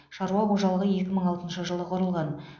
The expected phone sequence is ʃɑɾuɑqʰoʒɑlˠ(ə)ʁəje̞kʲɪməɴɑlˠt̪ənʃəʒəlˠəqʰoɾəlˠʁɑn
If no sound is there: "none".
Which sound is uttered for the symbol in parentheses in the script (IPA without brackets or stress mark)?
ə